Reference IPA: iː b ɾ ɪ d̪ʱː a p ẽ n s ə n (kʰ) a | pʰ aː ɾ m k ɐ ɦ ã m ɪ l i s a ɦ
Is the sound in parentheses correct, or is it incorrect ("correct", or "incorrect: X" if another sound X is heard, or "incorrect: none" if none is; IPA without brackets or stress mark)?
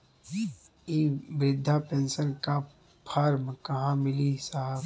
incorrect: k